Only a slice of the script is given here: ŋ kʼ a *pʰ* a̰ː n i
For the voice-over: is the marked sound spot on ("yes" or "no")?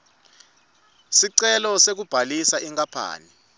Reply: yes